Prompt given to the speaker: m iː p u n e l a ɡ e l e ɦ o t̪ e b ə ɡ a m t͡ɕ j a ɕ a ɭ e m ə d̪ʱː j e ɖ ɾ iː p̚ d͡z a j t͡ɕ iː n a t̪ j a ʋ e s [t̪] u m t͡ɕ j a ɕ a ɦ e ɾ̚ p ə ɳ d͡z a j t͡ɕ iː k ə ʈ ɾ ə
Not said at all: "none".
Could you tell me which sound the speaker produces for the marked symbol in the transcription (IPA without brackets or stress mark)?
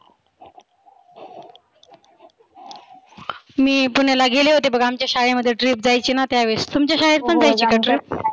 t̪